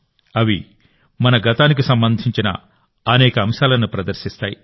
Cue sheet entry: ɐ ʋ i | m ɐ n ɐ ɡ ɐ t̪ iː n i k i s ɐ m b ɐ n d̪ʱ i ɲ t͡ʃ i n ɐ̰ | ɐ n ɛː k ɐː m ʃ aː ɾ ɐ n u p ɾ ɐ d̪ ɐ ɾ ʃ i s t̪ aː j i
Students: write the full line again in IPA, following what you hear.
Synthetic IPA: ɐ ʋ i | m ɐ n ɐ ɡ ɐ t̪ aː n i k i s ɐ m b ɐ n d̪ʱ i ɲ t͡ʃ i n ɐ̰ | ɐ n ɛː k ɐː m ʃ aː l ɐ n u p ɾ ɐ d̪ ɐ ɾ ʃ i s t̪ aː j i